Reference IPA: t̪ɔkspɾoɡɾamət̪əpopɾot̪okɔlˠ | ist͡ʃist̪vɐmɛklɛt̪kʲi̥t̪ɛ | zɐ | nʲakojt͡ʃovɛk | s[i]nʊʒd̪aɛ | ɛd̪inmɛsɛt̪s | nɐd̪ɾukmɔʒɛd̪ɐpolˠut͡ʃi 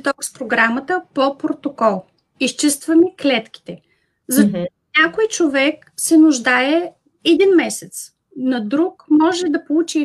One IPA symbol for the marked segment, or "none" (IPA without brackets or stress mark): ɛ